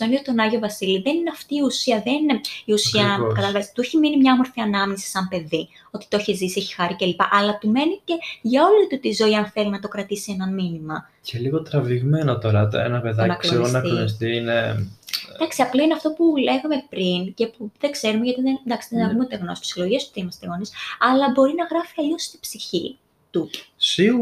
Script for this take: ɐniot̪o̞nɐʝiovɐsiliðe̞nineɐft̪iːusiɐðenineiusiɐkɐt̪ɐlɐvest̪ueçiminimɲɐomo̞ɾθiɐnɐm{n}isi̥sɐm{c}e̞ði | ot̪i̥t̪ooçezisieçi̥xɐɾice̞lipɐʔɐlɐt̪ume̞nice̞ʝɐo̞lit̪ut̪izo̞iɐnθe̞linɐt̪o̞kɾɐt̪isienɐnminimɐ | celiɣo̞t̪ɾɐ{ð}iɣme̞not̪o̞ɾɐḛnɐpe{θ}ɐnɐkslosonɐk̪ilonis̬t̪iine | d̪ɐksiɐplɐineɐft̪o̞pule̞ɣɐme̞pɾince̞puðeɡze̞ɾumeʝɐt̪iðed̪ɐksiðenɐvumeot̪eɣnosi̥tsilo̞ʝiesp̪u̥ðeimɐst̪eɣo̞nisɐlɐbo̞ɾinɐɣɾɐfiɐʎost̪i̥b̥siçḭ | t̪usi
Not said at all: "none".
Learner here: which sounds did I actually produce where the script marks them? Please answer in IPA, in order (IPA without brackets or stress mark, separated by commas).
ɲ, p, v, ð